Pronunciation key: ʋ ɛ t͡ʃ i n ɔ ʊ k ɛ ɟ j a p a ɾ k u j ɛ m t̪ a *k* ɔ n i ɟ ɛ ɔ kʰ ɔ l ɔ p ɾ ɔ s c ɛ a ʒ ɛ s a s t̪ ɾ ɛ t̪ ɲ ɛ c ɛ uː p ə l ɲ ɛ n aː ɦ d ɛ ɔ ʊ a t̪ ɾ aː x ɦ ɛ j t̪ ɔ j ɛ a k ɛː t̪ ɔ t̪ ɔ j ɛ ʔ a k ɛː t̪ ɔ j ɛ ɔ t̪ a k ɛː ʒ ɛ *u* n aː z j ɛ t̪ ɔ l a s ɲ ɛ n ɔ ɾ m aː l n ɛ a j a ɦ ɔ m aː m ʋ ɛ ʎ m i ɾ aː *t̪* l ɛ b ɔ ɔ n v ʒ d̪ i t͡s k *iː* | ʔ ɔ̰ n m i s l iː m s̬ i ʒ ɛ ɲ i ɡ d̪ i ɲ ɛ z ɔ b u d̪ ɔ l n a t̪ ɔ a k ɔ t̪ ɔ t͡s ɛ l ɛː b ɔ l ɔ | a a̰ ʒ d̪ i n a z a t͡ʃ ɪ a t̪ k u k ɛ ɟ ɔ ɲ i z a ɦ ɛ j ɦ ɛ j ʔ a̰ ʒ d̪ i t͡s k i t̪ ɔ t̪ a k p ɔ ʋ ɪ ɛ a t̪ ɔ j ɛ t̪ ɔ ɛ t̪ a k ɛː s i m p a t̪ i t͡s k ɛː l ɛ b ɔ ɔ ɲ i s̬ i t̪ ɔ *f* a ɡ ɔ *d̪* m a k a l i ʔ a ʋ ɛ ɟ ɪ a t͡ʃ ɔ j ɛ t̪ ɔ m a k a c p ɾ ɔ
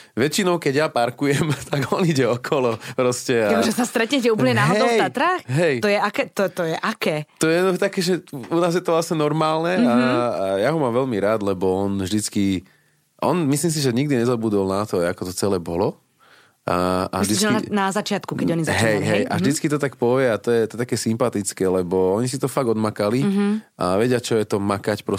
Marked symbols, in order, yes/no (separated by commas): no, yes, no, no, yes, yes